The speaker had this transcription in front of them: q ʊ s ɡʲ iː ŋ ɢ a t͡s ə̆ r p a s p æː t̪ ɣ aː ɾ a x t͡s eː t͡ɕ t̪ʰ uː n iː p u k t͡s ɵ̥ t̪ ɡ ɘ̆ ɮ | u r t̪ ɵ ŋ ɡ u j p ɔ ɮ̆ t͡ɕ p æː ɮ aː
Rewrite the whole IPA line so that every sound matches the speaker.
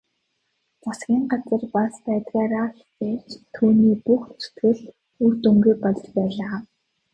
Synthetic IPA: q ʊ s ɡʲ iː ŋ ɢ a t͡s ə̆ r p a s p æː t̪ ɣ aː ɾ a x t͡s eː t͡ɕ t̪ʰ uː n iː p u x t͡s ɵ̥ t̪ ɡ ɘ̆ ɮ | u r t̪ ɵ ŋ ɡ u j p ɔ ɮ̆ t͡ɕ p æː ɮ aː